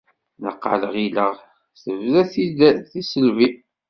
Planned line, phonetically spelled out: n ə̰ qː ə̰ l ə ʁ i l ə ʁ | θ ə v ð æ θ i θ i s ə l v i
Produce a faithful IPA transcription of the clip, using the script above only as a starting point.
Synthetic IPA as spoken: n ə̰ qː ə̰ l ə ʁ i l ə ʁ | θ ə v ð æ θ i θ i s ə l v i

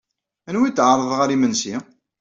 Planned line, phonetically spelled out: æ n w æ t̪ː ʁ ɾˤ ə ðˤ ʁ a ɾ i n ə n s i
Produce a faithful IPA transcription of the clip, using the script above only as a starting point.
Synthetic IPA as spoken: æ n w i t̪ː ʕ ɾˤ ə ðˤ ʁ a ɾ i m ə n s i

